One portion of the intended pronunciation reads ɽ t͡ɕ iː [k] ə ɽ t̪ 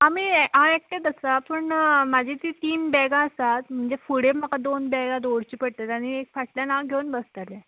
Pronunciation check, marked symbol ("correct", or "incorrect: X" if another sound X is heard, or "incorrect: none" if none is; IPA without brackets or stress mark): incorrect: p